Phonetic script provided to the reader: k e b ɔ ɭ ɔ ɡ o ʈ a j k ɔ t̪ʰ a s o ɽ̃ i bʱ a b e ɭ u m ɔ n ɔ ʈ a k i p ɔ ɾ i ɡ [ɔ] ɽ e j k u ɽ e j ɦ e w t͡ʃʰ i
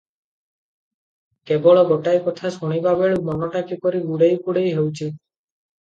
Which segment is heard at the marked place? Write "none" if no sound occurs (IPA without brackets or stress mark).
u